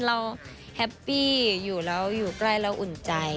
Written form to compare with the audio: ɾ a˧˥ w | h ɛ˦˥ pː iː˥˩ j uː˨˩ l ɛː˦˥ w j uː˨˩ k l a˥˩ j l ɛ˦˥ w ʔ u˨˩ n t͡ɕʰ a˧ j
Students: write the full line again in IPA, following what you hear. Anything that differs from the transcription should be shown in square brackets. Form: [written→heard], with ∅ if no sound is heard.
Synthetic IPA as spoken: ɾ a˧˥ w | h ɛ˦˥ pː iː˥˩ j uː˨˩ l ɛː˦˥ w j uː˨˩ k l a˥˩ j l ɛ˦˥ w ʔ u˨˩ n [t͡ɕʰ→t͡ɕ] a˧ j